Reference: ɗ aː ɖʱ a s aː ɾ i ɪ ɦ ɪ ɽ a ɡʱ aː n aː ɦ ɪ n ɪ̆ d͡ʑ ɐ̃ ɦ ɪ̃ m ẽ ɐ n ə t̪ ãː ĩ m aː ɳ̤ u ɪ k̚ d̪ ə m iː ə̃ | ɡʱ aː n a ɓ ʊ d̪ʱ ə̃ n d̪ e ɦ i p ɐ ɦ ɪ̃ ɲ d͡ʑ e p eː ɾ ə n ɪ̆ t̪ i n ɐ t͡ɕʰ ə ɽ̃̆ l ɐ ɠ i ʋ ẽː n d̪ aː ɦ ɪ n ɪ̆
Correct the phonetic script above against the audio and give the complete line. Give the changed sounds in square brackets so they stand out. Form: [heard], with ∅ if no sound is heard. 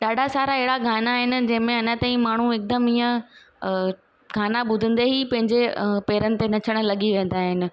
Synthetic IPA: ɗ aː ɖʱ a s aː ɾ [a] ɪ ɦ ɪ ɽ a ɡʱ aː n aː ɦ ɪ n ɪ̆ d͡ʑ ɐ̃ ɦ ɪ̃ m ẽ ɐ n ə t̪ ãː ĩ m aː ɳ̤ u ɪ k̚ d̪ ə m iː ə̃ | ɡʱ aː n a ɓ ʊ d̪ʱ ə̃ n d̪ e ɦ i p [ɐ̃] ɦ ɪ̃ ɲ d͡ʑ e p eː ɾ ə n ɪ̆ t̪ [e] n ɐ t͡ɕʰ ə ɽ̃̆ l ɐ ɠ i ʋ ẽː n d̪ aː ɦ ɪ n ɪ̆

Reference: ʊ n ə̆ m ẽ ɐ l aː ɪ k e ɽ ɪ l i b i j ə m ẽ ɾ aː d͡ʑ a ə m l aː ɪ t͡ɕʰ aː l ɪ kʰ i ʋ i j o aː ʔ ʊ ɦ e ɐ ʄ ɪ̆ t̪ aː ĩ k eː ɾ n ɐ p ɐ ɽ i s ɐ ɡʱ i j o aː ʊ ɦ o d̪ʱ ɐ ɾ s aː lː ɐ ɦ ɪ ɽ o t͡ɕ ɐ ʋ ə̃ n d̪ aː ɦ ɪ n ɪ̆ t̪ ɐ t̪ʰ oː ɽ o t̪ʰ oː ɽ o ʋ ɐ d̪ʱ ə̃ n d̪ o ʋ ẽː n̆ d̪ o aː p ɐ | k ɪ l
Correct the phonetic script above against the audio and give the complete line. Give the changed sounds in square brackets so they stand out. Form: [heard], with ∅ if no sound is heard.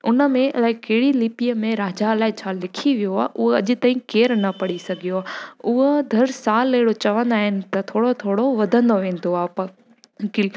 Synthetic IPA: ʊ n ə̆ m ẽ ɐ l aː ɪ k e ɽ [i] l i [p] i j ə m ẽ ɾ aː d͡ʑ a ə [∅] l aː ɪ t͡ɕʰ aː l ɪ kʰ i ʋ i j o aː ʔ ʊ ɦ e ɐ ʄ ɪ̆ t̪ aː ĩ k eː ɾ n ɐ p ɐ ɽ i s ɐ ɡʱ i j o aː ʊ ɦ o d̪ʱ ɐ ɾ s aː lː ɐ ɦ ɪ ɽ o t͡ɕ ɐ ʋ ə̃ n d̪ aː ɦ ɪ n ɪ̆ t̪ ɐ t̪ʰ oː ɽ o t̪ʰ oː ɽ o ʋ ɐ d̪ʱ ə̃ n d̪ o ʋ ẽː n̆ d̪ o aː p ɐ | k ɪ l

